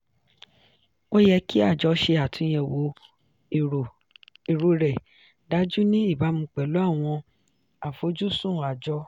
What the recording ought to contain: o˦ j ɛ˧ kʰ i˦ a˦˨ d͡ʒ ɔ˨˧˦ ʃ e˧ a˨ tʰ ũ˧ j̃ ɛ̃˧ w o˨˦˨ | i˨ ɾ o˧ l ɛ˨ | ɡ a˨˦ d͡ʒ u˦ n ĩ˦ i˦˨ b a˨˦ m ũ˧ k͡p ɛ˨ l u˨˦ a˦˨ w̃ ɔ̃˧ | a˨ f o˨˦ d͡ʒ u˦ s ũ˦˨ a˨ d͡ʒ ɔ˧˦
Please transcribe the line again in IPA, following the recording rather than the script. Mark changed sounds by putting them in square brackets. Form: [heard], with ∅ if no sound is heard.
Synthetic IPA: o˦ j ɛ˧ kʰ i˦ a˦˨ d͡ʒ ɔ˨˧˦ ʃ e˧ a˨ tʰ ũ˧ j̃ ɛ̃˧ w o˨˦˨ | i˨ ɾ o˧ [ɾ] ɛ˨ | [d] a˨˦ d͡ʒ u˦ n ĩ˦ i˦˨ b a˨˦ m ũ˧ k͡p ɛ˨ l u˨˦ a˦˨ w̃ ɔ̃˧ | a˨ f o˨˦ d͡ʒ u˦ s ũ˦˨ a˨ d͡ʒ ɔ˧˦